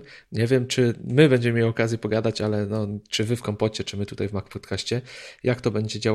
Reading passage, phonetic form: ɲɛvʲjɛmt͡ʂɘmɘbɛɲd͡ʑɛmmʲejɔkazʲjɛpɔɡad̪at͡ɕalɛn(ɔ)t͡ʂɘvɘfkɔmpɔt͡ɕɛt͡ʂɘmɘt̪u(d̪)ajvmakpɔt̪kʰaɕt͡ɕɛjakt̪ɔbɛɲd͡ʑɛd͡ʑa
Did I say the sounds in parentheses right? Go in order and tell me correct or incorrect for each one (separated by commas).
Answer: correct, incorrect